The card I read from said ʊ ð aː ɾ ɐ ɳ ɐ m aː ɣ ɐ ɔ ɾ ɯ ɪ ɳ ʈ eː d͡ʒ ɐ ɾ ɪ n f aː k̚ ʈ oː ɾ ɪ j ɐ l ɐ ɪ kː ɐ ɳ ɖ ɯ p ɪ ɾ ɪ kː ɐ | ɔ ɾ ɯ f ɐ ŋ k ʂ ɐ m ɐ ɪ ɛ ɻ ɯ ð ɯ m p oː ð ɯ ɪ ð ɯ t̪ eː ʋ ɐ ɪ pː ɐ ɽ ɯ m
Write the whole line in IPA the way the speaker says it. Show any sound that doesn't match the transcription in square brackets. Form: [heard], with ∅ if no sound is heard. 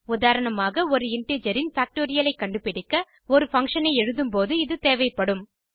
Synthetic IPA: ʊ ð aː ɾ ɐ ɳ ɐ m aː ɣ ɐ ɔ ɾ ɯ ɪ ɳ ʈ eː d͡ʒ ɐ ɾ ɪ n f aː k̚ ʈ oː ɾ ɪ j ɐ l ɐ ɪ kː ɐ ɳ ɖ ɯ p ɪ [ɽ] ɪ kː ɐ | ɔ ɾ ɯ f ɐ ŋ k ʂ ɐ [n] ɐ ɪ ɛ ɻ ɯ ð ɯ m p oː ð ɯ ɪ ð ɯ t̪ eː ʋ ɐ ɪ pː ɐ ɽ ɯ m